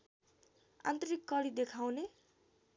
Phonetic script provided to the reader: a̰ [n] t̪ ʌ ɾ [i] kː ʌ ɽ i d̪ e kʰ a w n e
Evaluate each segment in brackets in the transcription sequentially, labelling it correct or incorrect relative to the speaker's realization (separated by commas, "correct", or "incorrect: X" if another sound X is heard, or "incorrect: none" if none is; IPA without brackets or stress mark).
correct, correct